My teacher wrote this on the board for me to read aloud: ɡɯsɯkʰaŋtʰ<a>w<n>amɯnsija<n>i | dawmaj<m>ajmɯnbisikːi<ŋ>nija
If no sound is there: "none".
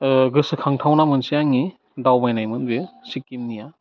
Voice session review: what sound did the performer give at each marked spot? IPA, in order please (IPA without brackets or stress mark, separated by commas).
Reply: a, n, ŋ, n, m